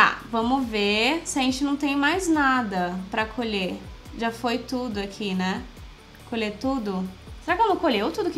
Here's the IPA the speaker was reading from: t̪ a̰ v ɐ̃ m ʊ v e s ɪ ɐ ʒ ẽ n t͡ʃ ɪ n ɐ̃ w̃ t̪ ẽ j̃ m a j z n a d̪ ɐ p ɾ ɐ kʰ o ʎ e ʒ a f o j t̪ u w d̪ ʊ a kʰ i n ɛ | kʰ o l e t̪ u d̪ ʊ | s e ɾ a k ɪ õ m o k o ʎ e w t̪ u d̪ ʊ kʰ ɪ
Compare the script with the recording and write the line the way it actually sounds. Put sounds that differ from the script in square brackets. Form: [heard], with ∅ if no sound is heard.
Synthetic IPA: t̪ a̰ v ɐ̃ m ʊ v e s ɪ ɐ ʒ ẽ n t͡ʃ ɪ n ɐ̃ w̃ t̪ ẽ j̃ m a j z n a d̪ ɐ p ɾ ɐ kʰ o ʎ e ʒ a f o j t̪ u [∅] d̪ ʊ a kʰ i n ɛ | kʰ o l e t̪ u d̪ ʊ | s e ɾ a k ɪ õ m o k o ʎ e w t̪ u d̪ ʊ [k] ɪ